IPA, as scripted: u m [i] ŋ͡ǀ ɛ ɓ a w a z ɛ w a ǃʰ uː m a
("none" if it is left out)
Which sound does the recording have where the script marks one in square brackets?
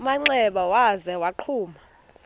a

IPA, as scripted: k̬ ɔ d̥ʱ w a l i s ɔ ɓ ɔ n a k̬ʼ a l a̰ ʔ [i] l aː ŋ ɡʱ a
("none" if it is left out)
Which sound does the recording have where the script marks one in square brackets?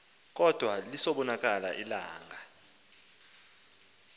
i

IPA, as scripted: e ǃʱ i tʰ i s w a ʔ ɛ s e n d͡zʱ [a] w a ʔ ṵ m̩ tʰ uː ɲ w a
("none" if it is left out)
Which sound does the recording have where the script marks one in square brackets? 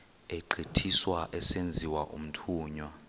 i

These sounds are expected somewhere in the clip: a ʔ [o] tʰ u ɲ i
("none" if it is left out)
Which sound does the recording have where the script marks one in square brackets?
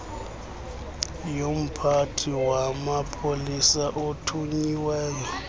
o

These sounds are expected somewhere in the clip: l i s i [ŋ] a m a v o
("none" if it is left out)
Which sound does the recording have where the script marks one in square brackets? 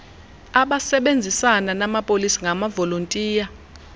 ŋ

